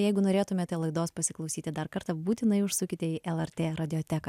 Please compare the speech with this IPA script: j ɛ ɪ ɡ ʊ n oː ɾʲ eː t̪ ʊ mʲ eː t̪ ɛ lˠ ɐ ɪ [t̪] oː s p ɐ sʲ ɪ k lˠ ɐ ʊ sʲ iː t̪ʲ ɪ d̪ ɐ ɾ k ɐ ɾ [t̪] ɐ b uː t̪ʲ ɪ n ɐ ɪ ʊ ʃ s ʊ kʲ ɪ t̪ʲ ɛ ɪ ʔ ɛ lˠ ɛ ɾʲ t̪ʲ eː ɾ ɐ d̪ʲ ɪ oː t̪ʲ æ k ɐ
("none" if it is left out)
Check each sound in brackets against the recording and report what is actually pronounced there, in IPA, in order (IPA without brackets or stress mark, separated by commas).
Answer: d̪, t̪